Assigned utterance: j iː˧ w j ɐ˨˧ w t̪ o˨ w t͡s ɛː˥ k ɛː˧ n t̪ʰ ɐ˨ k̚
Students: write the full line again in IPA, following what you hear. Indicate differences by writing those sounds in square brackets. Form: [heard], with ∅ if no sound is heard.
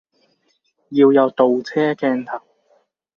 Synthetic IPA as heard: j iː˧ w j ɐ˨˧ w t̪ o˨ w [t͡sʰ] ɛː˥ k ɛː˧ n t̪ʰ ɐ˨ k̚